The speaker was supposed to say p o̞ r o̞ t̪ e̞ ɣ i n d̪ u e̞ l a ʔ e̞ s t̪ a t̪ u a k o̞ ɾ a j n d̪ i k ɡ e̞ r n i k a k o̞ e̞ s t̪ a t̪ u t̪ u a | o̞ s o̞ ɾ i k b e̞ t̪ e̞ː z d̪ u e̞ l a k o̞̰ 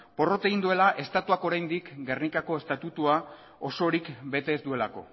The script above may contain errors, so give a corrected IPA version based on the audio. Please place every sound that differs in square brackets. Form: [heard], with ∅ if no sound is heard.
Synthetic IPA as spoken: p o̞ r o̞ t̪ e̞ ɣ i n d̪ u e̞ l a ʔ e̞ s t̪ a t̪ u a k o̞ ɾ a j n d̪ i k ɡ e̞ r n i k a k o̞ e̞ s t̪ a t̪ u t̪ u a | o̞ s o̞ ɾ i k b e̞ t̪ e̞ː z d̪ u e̞ l a k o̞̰